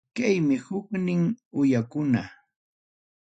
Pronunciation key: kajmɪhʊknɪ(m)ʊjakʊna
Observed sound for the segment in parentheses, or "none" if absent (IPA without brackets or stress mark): ŋ